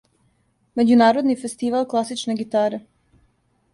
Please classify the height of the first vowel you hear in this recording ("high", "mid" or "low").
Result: mid